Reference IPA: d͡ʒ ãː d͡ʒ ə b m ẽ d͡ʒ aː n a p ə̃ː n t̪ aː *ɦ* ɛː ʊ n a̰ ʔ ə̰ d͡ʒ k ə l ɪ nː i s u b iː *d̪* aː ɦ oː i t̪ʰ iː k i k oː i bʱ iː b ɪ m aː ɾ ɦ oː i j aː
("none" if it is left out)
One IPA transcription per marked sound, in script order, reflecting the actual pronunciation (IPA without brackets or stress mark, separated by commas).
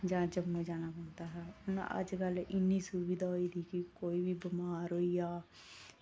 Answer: ɦ, d̪